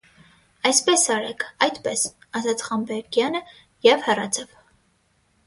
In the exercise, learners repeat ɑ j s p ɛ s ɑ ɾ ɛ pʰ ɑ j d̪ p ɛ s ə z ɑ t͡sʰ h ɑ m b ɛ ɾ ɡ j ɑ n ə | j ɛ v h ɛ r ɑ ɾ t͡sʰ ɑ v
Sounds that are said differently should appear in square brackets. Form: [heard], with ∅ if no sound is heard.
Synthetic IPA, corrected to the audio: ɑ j s p ɛ s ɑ ɾ ɛ [kʰ] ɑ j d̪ p ɛ s [ɑ] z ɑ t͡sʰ [χ] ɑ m b ɛ ɾ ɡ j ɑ n ə | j ɛ v h ɛ r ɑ [∅] t͡sʰ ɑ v